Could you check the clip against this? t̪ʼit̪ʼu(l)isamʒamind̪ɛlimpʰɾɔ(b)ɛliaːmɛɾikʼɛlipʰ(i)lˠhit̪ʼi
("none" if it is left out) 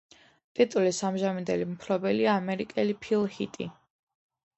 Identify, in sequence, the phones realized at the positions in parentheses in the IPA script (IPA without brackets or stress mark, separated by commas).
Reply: l, b, i